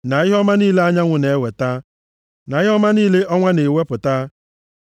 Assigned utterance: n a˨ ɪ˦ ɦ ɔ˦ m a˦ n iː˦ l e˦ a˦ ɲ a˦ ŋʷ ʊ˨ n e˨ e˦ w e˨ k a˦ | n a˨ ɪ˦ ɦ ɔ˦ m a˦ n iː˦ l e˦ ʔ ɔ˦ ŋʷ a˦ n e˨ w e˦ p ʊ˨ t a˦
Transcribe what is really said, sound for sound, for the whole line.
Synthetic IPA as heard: n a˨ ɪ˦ ɦ ɔ˦ m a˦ n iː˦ l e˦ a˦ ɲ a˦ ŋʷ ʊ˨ n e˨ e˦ w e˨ t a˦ | n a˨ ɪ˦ ɦ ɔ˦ m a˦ n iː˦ l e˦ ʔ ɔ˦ ŋʷ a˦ n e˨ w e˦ p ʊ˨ t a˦